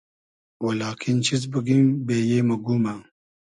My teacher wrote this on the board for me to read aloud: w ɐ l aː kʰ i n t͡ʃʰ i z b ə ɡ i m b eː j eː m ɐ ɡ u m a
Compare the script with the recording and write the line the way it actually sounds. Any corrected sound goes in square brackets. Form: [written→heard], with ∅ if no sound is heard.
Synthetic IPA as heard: w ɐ l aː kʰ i n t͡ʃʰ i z b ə ɡ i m b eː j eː m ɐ ɡ u m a

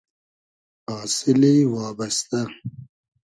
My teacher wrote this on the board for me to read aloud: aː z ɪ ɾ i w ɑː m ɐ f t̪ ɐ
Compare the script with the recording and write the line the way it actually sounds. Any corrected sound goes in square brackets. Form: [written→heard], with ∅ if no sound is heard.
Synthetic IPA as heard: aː [z→s] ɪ [ɾ→l] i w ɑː [m→b] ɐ [f→s] t̪ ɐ

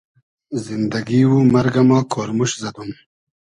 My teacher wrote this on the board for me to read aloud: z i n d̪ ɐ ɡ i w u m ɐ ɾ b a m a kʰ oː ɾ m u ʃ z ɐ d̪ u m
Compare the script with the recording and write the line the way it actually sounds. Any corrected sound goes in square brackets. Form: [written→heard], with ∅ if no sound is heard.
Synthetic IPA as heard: z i n d̪ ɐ ɡ i w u m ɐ ɾ [b→ɡ] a m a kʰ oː ɾ m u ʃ z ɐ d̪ u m

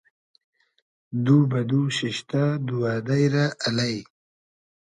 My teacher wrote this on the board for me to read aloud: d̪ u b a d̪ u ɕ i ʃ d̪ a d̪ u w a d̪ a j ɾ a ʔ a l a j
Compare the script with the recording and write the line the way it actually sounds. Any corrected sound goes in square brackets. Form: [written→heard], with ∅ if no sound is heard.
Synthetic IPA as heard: d̪ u b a d̪ u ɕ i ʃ [d̪→t̪] a d̪ u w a d̪ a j ɾ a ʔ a l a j

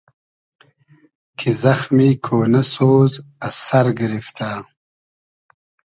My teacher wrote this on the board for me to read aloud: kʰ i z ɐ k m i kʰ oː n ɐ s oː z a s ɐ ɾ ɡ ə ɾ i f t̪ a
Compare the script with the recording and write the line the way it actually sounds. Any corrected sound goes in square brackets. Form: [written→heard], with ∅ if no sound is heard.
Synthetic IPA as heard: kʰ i z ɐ [k→x] m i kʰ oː n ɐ s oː z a s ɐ ɾ ɡ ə ɾ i f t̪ a

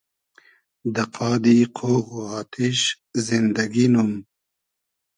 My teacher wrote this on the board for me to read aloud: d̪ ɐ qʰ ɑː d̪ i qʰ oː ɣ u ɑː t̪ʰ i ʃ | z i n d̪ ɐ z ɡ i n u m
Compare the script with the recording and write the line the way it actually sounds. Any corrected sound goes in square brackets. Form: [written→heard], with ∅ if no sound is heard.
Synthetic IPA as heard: d̪ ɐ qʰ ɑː d̪ i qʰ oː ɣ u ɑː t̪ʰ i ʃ | z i n d̪ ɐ [z→∅] ɡ i n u m

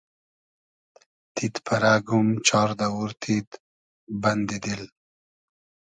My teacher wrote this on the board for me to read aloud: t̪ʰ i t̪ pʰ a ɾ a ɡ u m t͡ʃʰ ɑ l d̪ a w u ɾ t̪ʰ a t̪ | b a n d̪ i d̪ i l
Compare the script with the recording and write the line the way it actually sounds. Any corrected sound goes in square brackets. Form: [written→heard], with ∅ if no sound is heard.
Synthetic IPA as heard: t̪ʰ i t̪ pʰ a ɾ a ɡ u m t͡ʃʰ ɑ [l→ɾ] d̪ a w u ɾ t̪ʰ [a→i] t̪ | b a n d̪ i d̪ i l

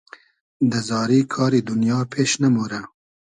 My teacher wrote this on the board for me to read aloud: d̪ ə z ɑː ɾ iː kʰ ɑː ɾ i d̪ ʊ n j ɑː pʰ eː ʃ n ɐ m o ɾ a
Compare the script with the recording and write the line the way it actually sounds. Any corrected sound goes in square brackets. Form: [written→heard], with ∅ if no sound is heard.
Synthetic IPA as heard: d̪ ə z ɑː ɾ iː kʰ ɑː ɾ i d̪ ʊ n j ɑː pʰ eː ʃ n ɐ m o ɾ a

